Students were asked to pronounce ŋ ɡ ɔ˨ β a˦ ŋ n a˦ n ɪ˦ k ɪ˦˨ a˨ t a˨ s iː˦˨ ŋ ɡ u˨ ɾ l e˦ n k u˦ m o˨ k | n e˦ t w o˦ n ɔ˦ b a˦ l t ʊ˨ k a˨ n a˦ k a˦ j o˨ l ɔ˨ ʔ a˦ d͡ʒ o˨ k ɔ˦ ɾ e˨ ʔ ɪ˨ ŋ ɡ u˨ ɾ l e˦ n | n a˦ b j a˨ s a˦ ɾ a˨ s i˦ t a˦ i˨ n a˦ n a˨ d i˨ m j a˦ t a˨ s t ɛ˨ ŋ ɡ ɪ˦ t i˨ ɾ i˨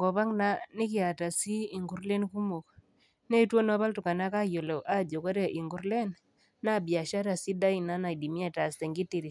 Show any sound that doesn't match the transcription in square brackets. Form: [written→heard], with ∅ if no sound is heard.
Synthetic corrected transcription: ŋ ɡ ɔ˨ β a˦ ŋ n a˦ n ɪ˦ k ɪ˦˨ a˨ t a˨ s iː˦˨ ŋ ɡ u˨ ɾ l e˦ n k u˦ m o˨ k | n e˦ t w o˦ n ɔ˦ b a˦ l t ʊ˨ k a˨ n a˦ k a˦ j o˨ l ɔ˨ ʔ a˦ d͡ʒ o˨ k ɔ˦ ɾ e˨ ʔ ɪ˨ ŋ ɡ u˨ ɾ l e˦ n | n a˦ b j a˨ [s→ʃ] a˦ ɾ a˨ s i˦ [t→d] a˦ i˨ n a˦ n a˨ d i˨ m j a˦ t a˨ s t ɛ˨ ŋ ɡ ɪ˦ t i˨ ɾ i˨